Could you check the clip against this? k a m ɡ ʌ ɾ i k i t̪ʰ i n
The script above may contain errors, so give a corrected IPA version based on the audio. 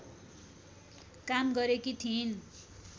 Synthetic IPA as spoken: k a m ɡ ʌ ɾ e k i t̪ʰ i n